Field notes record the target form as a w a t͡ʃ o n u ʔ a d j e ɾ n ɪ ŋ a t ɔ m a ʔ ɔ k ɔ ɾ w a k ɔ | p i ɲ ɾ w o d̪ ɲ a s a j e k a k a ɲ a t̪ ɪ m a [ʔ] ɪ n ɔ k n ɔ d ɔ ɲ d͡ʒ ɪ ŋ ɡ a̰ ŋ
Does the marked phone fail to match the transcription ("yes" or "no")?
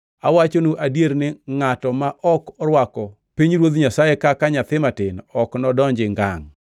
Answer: yes